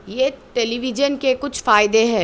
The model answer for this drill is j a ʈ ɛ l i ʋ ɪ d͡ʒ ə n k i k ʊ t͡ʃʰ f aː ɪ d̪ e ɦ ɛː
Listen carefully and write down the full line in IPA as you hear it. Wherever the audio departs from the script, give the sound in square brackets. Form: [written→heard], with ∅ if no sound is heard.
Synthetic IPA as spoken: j [a→e] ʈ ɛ l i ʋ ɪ d͡ʒ ə n k [i→e] k ʊ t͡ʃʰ f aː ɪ d̪ e ɦ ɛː

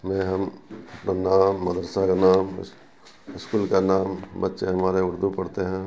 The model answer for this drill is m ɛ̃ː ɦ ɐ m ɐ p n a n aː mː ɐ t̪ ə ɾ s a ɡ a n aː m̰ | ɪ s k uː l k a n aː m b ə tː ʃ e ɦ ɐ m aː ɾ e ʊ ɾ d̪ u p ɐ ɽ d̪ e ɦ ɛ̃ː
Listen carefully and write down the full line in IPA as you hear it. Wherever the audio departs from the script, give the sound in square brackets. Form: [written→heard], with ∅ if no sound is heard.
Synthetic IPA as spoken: m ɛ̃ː ɦ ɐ m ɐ p n a n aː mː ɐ [t̪→d̪] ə ɾ s a [ɡ→k] a n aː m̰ | ɪ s k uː l k a n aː m b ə tː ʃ e ɦ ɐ m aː ɾ e ʊ ɾ d̪ u p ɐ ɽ [d̪→t̪] e ɦ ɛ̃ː

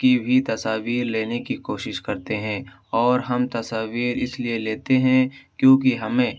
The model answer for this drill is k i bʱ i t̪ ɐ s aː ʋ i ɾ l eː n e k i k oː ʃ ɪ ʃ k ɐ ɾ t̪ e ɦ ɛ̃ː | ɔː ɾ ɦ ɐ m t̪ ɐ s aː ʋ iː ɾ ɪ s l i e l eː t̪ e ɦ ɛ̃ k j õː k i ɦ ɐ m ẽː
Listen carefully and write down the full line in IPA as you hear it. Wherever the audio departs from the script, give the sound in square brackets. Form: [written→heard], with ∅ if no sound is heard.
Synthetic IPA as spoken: k i bʱ i t̪ ɐ s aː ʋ [i→iː] ɾ l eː n e k i k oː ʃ ɪ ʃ k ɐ ɾ t̪ e ɦ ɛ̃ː | ɔː ɾ ɦ ɐ m t̪ ɐ s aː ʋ iː ɾ ɪ s l i e l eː t̪ e ɦ ɛ̃ k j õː k i ɦ ɐ m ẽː

